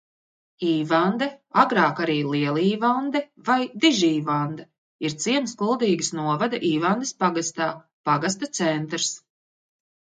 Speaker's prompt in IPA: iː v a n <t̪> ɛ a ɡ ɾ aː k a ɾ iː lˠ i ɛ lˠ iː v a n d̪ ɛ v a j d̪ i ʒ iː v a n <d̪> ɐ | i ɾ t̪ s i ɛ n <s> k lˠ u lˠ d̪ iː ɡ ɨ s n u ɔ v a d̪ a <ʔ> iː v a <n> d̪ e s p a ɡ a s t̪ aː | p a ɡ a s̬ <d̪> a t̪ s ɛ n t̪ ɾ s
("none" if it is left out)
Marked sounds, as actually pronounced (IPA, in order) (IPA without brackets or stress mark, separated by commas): d̪, d̪, s, ʔ, n, t̪